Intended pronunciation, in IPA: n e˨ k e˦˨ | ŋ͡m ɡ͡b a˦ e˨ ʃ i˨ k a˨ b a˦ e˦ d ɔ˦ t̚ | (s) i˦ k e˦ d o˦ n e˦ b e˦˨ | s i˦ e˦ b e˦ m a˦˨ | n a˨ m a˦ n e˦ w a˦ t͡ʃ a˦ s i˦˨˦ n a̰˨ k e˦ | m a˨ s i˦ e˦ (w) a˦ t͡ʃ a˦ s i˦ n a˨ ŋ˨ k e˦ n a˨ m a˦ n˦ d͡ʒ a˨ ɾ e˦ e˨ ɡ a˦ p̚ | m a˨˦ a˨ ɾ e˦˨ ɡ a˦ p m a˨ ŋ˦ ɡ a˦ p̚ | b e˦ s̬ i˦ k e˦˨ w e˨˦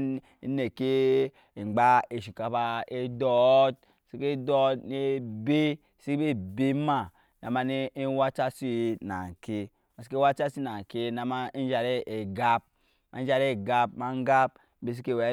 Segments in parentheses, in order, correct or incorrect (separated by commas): correct, correct